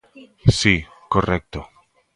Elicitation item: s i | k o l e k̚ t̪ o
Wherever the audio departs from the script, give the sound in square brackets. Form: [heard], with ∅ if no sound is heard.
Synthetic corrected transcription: s i | k o [r] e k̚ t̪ o